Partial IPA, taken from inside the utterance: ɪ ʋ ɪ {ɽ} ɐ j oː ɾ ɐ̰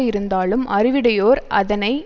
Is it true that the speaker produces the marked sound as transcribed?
yes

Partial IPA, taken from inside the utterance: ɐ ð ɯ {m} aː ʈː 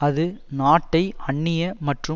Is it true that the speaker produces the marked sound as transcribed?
no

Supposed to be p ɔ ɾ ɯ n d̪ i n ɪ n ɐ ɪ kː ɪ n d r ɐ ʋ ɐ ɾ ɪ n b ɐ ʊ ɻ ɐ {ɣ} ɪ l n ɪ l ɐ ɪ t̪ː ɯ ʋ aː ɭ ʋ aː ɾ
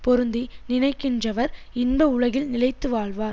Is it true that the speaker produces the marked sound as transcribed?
yes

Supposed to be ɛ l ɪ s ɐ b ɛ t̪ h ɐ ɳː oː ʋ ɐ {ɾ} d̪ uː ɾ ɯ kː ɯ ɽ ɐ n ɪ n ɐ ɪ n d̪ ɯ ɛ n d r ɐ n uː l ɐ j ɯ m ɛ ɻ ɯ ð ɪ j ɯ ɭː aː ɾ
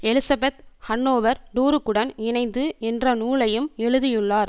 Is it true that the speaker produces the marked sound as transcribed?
yes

